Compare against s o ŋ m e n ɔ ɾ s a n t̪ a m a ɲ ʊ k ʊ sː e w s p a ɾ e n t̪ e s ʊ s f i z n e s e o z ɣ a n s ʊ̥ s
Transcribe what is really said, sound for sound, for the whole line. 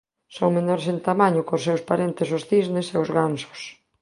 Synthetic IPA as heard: s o ŋ m e n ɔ ɾ s e n t̪ a m a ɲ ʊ k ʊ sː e w s p a ɾ e n t̪ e s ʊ s θ i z n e s e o z ɣ a n s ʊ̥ s